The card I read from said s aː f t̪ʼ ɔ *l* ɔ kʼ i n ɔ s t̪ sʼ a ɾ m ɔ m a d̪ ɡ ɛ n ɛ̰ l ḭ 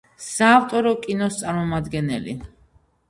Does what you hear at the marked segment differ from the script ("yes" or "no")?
yes